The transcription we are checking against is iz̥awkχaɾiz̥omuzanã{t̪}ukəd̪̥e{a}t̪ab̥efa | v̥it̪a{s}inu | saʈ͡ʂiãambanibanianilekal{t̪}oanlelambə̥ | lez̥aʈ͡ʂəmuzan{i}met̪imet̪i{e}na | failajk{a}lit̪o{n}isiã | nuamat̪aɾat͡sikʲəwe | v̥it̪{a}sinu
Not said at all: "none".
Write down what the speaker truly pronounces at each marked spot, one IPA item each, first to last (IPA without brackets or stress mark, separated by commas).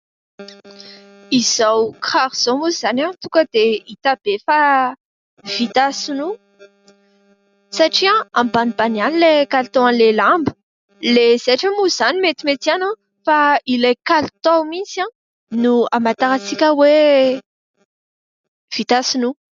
t̪, i, s, t̪, i, a, a, m, a